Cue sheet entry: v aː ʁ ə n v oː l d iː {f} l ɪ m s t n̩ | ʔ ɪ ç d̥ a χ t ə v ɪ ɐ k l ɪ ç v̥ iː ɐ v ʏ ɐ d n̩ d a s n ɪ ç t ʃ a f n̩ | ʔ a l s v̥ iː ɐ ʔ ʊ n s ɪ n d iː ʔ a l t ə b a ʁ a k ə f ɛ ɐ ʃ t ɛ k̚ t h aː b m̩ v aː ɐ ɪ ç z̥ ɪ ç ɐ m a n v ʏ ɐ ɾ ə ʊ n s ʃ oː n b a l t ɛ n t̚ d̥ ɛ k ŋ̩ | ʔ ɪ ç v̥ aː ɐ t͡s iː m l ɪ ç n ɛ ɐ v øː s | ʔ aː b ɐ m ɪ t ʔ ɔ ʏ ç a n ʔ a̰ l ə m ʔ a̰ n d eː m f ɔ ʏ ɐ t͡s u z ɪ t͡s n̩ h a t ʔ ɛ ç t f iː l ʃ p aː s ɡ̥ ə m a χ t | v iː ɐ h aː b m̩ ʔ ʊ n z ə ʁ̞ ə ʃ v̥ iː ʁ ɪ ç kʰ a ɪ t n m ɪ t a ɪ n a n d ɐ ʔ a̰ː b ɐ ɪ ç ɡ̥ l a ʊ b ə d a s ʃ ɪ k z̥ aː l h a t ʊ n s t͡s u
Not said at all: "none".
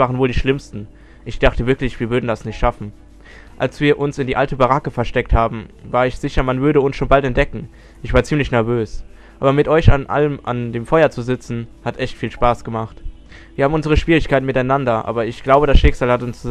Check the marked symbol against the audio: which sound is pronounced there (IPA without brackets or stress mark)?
ʃ